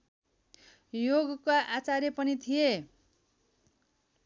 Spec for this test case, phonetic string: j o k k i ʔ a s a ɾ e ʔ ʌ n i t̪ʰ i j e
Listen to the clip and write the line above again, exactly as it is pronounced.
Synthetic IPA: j o ɡ k a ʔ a t͡s a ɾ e p ʌ n i t̪ʰ i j e